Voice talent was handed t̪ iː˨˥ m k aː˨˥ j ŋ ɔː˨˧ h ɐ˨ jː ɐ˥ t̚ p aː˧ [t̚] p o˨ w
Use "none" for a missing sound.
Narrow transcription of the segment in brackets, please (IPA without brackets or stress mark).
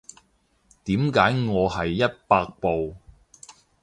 k̚